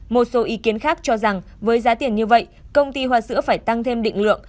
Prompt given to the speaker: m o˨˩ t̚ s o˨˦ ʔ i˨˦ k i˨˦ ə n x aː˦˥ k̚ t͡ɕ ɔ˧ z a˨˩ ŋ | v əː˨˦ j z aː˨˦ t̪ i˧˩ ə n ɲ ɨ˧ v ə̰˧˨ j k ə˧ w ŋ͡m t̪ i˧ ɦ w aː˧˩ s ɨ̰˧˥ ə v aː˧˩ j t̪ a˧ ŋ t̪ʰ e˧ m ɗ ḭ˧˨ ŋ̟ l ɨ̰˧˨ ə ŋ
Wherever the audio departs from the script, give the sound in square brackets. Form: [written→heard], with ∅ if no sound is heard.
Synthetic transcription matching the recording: m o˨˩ t̚ s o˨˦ ʔ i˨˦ k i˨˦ ə n x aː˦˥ k̚ t͡ɕ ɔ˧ z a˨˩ ŋ | v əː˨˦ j z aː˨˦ t̪ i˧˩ ə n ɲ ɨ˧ v ə̰˧˨ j k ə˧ w ŋ͡m t̪ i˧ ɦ w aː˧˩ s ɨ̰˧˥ ə [v→f] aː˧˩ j t̪ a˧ ŋ t̪ʰ e˧ m ɗ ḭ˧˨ ŋ̟ l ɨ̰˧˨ ə ŋ

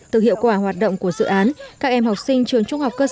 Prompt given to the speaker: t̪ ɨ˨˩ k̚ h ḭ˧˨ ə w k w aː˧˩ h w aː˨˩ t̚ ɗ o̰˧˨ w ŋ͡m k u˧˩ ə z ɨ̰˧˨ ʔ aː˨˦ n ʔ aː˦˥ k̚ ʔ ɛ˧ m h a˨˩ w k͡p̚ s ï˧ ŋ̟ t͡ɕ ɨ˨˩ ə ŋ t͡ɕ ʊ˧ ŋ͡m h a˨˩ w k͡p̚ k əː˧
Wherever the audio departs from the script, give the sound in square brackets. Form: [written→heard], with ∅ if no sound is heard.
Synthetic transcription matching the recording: t̪ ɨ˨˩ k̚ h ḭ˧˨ ə w k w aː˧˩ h w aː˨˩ t̚ ɗ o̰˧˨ w ŋ͡m k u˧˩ ə z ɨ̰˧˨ ʔ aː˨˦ n [ʔ→k] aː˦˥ k̚ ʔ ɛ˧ m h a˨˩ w k͡p̚ s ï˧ ŋ̟ t͡ɕ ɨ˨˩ ə ŋ t͡ɕ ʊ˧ ŋ͡m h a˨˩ w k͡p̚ k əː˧

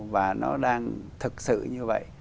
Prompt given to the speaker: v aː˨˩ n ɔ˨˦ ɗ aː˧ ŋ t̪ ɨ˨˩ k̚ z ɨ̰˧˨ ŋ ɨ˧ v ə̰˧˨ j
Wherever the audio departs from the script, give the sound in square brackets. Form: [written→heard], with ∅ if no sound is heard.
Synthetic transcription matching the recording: v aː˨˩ n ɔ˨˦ ɗ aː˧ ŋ [t̪→t̪ʰ] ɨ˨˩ k̚ [z→s] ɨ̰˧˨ [ŋ→ɲ] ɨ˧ v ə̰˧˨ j

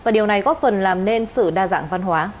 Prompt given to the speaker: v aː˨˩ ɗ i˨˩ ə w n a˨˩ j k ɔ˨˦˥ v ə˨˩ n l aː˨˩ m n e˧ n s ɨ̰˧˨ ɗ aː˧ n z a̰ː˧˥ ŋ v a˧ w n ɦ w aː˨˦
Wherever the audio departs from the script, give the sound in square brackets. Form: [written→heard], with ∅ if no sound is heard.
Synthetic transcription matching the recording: v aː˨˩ ɗ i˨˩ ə w n a˨˩ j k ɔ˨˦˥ [v→f] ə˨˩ n l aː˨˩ m n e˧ n s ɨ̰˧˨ ɗ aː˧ [n→∅] z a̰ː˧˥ ŋ v a˧ [w→∅] n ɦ w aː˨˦

